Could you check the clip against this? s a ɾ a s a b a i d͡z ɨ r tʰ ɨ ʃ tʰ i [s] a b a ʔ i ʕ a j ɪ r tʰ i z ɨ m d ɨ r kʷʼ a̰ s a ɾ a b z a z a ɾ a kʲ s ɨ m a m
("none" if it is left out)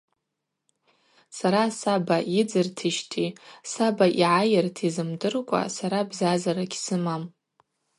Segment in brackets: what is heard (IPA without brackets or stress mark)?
s